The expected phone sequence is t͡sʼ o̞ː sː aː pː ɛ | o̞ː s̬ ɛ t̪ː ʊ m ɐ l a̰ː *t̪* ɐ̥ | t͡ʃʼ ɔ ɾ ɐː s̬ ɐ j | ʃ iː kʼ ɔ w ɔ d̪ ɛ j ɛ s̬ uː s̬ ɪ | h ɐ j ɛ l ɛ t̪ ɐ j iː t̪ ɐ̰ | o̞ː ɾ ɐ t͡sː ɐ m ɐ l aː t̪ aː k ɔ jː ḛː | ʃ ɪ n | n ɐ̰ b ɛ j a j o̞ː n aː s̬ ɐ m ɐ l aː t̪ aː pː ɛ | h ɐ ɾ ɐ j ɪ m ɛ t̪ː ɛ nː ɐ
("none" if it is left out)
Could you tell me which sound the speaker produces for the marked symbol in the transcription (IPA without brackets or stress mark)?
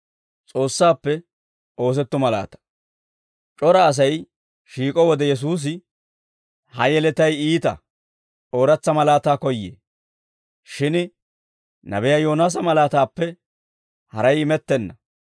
t̪